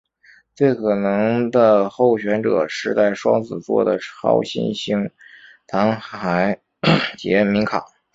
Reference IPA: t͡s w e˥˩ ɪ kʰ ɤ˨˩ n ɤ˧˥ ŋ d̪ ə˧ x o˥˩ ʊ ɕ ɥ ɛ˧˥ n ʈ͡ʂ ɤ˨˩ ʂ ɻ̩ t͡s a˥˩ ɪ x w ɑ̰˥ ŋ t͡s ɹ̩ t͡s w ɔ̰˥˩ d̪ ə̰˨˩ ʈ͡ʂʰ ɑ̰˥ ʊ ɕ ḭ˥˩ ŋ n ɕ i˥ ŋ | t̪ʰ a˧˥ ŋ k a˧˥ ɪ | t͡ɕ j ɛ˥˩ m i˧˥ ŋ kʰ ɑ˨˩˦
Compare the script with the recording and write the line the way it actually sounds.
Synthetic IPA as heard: t͡s w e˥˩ ɪ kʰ ɤ˨˩ n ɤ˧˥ ŋ d̪ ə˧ x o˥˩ ʊ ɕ ɥ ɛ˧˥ n ʈ͡ʂ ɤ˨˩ ʂ ɻ̩ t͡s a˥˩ ɪ ʂ w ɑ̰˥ ŋ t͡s ɹ̩ t͡s w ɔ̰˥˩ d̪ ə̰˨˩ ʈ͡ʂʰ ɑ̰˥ ʊ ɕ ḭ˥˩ n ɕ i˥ ŋ | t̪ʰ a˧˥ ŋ x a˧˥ ɪ | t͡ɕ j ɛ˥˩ m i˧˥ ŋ kʰ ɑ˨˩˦